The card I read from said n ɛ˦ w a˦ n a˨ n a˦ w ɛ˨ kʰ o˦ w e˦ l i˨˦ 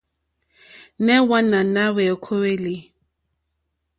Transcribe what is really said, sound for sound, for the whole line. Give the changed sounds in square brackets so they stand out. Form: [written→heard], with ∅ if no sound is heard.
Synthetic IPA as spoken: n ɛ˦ w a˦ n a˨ n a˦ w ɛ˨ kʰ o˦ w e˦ l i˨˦